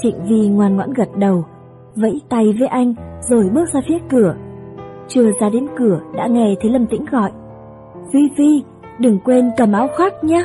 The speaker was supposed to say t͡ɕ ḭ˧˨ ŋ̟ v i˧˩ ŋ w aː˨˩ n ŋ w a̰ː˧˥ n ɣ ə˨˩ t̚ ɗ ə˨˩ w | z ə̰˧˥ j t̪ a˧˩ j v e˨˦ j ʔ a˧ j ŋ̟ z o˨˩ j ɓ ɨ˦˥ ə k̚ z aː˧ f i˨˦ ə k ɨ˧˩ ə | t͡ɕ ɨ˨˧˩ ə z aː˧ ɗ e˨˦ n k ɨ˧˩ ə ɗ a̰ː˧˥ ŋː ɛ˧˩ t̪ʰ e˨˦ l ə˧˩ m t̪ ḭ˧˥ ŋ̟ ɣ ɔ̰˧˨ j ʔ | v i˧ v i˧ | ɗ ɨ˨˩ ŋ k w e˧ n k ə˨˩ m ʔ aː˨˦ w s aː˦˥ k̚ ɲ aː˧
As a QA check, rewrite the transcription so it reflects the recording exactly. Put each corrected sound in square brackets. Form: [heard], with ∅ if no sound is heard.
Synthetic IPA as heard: t͡ɕ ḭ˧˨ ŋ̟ v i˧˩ ŋ w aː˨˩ n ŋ w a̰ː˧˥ n ɣ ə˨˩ t̚ ɗ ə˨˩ w | [v] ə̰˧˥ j t̪ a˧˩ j v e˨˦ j ʔ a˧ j ŋ̟ z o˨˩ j ɓ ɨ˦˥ ə k̚ z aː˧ f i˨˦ ə k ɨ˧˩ ə | t͡ɕ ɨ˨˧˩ ə z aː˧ ɗ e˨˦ n k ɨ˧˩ ə ɗ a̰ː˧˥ [ŋ] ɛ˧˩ t̪ʰ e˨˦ l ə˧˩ m t̪ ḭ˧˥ ŋ̟ ɣ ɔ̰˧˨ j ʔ | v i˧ v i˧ | ɗ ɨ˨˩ ŋ k w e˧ n k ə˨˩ m ʔ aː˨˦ w [x] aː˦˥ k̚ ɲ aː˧